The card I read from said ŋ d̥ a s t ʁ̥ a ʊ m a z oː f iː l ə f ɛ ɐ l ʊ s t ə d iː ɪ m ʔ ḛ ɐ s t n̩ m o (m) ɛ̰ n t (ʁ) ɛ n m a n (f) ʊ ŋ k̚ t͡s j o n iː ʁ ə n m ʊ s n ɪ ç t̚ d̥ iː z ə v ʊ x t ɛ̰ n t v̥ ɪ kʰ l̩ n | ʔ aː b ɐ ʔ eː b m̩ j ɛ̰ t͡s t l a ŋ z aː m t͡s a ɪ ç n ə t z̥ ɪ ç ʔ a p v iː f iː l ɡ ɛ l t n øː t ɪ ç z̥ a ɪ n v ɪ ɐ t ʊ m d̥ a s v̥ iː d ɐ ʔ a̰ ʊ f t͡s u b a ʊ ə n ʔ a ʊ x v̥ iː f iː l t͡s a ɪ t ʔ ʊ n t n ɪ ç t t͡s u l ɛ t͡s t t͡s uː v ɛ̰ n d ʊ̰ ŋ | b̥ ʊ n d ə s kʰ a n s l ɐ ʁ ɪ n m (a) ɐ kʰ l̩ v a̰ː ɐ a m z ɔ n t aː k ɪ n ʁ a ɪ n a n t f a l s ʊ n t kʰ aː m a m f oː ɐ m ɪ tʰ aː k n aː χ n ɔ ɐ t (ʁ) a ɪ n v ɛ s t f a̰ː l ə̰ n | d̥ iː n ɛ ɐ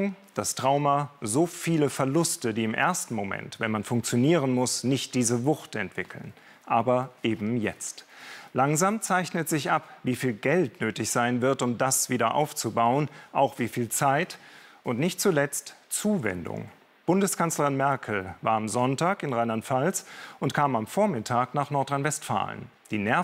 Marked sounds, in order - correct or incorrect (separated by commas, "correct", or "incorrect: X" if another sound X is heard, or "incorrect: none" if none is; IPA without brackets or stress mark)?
correct, incorrect: v, correct, incorrect: ɛ, correct